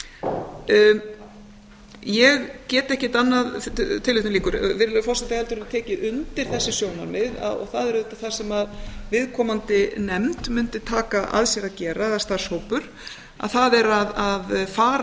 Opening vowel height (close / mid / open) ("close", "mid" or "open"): mid